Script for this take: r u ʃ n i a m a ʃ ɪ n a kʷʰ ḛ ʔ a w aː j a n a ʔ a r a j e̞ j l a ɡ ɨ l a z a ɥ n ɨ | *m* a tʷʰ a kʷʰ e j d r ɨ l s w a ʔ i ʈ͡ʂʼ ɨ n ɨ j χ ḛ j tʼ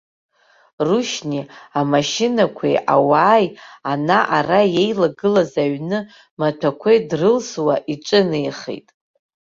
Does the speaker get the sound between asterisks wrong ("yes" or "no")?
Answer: no